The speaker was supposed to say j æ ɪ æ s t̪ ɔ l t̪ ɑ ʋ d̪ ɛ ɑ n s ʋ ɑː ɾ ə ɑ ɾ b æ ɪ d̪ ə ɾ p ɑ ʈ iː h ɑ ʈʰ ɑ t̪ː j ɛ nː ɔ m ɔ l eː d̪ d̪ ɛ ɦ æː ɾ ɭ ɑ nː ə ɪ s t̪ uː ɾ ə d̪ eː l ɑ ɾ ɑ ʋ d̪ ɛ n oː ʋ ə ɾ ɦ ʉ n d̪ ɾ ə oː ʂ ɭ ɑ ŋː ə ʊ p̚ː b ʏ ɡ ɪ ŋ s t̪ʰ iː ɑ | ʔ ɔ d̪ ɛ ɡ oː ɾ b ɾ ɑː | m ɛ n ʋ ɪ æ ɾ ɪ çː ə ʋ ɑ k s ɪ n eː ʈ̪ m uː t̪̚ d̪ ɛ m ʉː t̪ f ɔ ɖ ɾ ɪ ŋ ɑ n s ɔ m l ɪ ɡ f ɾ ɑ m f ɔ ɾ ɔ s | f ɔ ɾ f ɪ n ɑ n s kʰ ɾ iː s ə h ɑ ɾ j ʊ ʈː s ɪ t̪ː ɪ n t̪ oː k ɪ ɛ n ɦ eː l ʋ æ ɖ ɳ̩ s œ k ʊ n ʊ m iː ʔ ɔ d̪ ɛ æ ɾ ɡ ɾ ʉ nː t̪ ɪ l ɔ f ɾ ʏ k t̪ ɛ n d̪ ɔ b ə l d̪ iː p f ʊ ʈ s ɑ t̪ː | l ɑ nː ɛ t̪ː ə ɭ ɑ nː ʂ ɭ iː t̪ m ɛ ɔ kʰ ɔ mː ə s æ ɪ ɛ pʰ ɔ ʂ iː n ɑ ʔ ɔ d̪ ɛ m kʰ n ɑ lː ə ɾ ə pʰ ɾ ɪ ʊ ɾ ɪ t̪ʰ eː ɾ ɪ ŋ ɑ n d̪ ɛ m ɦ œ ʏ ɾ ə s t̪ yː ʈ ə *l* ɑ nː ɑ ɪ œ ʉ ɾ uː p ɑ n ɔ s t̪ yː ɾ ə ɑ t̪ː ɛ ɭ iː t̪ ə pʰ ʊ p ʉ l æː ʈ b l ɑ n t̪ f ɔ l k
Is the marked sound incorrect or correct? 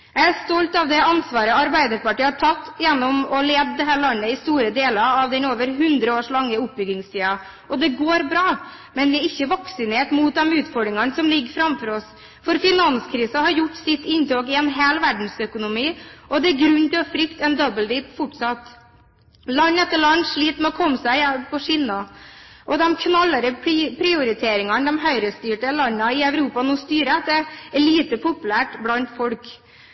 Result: correct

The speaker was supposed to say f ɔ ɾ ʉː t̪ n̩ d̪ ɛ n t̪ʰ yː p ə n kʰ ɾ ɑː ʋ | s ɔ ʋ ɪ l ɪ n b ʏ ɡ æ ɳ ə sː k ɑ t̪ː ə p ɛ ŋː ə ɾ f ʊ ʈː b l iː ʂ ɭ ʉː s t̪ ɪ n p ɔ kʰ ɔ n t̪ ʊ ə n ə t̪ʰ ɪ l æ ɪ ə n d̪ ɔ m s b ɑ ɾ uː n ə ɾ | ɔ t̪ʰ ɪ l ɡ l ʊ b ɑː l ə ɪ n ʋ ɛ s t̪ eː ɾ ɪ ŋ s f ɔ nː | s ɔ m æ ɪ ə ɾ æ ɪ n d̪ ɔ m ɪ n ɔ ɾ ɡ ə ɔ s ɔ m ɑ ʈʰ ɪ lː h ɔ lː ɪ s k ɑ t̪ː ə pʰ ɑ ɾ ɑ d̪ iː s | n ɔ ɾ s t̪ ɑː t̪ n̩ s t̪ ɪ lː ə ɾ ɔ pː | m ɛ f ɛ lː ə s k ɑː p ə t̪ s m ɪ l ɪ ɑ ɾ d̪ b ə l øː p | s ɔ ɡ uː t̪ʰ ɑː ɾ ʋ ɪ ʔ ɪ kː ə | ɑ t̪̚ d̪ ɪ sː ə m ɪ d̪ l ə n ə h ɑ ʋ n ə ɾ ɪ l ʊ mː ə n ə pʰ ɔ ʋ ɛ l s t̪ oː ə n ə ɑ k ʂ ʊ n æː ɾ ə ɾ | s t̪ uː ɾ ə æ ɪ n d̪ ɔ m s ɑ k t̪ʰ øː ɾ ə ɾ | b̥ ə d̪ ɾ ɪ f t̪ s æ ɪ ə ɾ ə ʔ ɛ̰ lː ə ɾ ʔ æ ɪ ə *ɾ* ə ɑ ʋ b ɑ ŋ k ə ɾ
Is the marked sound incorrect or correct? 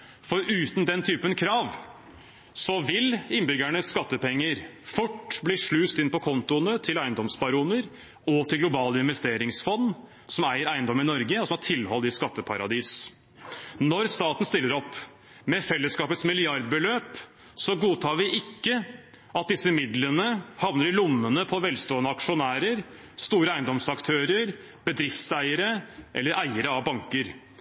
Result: correct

